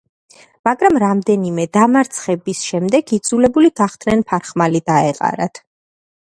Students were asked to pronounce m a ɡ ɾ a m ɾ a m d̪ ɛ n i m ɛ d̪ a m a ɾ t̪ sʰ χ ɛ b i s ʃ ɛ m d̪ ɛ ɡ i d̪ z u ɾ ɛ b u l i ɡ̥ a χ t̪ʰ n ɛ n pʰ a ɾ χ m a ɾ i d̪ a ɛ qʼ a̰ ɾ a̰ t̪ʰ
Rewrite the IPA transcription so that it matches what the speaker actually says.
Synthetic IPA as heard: m a ɡ ɾ a m ɾ a m d̪ ɛ n i m ɛ d̪ a m a ɾ t̪ sʰ χ ɛ b i s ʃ ɛ m d̪ ɛ ɡ i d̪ z u l ɛ b u l i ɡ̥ a χ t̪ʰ n ɛ n pʰ a ɾ χ m a l i d̪ a ɛ qʼ a̰ ɾ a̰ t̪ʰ